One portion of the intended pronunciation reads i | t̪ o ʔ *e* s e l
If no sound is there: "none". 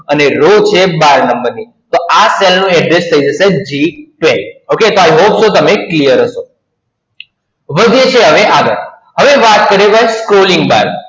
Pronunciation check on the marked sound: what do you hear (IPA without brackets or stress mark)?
a